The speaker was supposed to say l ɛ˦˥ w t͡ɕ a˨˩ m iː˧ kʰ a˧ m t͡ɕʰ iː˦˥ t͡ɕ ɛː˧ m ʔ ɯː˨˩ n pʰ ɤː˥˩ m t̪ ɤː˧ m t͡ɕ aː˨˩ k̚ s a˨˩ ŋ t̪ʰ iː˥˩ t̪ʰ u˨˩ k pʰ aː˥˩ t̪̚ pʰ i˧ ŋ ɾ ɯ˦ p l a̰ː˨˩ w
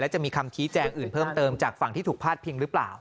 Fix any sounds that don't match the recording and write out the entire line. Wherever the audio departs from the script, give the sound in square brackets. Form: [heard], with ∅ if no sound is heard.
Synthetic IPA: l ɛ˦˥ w t͡ɕ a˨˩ m iː˧ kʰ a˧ m t͡ɕʰ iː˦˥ t͡ɕ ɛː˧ [ŋ] ʔ ɯː˨˩ n pʰ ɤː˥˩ m t̪ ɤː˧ m t͡ɕ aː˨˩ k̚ [f] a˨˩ ŋ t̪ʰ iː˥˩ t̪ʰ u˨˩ k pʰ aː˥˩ t̪̚ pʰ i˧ ŋ ɾ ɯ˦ p l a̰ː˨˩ w